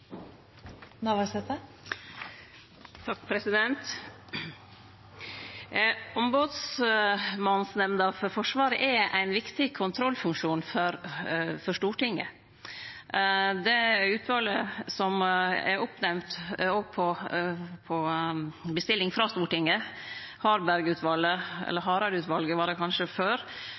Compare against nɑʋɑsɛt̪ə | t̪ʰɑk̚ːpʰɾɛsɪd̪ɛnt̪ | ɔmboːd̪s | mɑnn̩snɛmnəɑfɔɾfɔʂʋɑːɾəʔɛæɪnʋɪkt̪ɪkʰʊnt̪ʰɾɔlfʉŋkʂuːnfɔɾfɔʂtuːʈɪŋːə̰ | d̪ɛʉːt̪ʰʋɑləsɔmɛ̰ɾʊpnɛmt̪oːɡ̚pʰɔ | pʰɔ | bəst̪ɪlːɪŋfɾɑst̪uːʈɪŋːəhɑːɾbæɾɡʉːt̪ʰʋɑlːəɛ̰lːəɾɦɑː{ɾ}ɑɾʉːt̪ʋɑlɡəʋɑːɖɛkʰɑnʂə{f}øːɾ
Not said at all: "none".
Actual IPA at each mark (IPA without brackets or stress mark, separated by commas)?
ɾ, f